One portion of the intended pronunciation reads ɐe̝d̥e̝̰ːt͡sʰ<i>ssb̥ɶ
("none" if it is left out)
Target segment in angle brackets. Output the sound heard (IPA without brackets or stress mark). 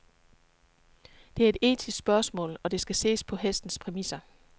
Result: i